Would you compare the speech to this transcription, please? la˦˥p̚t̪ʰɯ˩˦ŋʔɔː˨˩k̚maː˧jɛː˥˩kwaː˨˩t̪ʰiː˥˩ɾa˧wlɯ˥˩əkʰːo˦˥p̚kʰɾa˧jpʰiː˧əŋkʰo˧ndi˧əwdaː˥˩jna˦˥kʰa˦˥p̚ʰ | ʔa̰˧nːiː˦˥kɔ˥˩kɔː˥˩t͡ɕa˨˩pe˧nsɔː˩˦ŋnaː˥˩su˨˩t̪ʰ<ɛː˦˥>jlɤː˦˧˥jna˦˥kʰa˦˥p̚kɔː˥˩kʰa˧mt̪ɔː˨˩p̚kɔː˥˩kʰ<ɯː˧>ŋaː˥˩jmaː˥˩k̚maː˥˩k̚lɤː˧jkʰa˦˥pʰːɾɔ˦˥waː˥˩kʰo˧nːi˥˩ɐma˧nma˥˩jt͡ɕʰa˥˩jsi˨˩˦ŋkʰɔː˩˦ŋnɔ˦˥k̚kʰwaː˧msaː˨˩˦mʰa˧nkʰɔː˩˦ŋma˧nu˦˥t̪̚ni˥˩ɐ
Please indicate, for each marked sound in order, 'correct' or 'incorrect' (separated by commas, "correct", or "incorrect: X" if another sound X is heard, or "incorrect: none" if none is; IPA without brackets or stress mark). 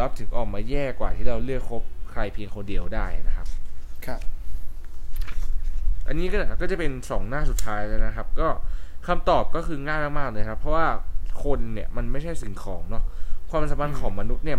incorrect: aː˦˥, correct